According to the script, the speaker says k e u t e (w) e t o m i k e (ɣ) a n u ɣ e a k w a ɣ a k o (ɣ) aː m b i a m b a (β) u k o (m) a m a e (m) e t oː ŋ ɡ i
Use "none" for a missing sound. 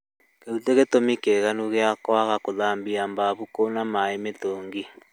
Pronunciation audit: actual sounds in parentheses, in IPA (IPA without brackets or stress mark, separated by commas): ɣ, ɣ, ð, β, n, m